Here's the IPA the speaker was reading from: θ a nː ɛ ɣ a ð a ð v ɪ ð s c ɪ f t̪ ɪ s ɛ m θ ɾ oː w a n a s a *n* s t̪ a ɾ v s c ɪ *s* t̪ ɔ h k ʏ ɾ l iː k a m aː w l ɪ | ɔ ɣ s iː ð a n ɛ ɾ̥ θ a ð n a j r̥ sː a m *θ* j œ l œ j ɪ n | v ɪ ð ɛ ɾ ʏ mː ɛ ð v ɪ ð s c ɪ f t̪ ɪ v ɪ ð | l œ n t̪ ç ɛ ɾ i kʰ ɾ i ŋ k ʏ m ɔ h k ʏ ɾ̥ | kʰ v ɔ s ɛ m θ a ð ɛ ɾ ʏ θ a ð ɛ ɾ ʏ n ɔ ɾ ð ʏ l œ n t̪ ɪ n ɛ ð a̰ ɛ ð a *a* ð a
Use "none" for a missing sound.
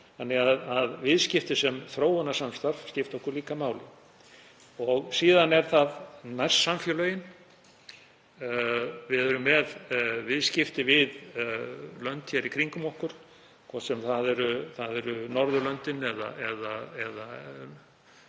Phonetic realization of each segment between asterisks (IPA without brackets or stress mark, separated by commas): m, f, f, ɛ